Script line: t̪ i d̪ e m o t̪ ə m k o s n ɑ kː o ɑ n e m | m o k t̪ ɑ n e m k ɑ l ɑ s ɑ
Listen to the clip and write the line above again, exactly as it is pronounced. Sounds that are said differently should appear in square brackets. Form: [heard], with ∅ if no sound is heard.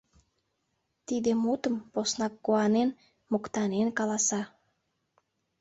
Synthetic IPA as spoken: t̪ i d̪ e m [u] t̪ ə m [p] o s n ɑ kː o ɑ n e [n] | m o k t̪ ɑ n e [n] k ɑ l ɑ s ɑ